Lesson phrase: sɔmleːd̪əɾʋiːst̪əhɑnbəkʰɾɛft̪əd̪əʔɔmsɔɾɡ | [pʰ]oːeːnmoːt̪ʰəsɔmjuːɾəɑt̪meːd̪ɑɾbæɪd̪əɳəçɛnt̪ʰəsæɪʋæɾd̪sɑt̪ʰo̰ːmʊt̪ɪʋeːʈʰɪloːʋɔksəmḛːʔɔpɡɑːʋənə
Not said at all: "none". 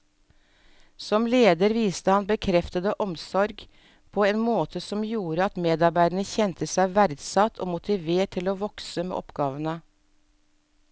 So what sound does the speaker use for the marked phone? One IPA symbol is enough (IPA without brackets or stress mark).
pʰ